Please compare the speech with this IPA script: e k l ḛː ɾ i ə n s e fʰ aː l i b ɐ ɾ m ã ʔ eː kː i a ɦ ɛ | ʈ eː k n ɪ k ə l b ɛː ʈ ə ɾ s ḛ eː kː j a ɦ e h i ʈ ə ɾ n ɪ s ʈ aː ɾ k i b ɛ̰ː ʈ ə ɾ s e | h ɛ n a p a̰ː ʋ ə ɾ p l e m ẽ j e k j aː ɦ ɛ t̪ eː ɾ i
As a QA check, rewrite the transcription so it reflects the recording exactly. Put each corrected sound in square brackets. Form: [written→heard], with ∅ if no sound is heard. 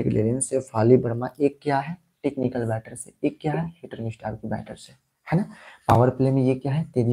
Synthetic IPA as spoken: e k l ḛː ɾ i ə n s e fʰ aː l i b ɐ ɾ m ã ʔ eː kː [i→j] a ɦ ɛ | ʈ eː k n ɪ k ə l b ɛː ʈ ə ɾ s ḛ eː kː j a ɦ [e→ɛ] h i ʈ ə ɾ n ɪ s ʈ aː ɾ k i b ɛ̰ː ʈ ə ɾ s e | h ɛ n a p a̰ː ʋ ə ɾ p l e m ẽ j e k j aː ɦ ɛ t̪ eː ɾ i

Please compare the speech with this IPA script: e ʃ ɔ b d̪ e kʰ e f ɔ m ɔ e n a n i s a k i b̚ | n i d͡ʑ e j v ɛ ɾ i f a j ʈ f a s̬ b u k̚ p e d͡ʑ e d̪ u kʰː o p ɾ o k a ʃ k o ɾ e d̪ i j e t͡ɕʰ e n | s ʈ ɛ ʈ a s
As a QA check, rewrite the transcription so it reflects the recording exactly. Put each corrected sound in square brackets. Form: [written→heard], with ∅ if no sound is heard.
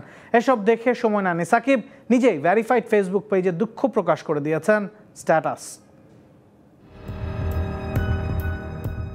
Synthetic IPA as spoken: e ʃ ɔ b d̪ e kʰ e [f→ʃ] ɔ m ɔ e n a n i s a k i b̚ | n i d͡ʑ e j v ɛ ɾ i f a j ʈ f [a→e] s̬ b u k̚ p e d͡ʑ e d̪ u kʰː o p ɾ o k a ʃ k o ɾ e d̪ i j e t͡ɕʰ e n | s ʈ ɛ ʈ a s

